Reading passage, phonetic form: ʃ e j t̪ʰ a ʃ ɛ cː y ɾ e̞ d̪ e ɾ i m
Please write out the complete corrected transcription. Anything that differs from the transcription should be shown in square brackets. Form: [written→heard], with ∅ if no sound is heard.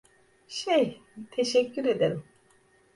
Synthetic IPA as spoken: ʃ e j t̪ʰ [a→e] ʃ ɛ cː y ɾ e̞ d̪ e ɾ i m